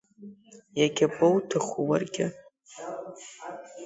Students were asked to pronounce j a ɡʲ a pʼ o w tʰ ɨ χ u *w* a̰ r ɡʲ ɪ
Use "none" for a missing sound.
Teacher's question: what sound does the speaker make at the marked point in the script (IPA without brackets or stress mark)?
w